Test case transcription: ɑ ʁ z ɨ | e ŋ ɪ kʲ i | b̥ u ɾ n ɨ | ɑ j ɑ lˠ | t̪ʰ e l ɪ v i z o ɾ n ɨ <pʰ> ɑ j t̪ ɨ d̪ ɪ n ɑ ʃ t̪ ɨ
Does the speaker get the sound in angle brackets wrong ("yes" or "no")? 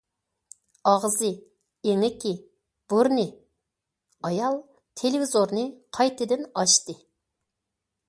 yes